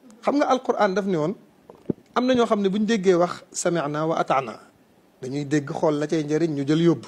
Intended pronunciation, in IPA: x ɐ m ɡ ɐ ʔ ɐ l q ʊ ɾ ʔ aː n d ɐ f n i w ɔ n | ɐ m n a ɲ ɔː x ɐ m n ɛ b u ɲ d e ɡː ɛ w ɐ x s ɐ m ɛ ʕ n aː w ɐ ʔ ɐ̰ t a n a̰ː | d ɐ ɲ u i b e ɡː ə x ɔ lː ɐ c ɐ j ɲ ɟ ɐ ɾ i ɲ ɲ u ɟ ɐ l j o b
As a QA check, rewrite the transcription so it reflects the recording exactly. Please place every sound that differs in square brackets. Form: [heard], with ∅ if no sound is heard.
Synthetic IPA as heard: x ɐ m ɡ ɐ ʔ ɐ l q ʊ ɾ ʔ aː n d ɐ f n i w ɔ n | ɐ m n [ɐ] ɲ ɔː x ɐ m n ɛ b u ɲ d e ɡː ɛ w ɐ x s ɐ m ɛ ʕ n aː w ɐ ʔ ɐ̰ t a n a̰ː | d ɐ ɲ u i [d] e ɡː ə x ɔ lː ɐ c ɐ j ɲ ɟ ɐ ɾ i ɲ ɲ u ɟ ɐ l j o b